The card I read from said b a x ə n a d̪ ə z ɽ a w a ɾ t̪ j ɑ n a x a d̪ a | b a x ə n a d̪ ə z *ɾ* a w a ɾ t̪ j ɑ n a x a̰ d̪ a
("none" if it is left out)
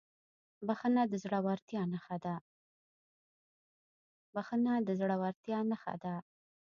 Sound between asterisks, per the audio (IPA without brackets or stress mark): ɽ